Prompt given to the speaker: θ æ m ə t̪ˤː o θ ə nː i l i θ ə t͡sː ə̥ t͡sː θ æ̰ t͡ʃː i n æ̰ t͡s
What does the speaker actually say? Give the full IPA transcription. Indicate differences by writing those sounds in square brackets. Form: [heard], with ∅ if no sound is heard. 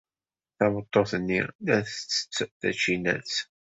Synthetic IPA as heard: θ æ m ə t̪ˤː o θ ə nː i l [æ] θ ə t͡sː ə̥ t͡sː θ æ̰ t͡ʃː i n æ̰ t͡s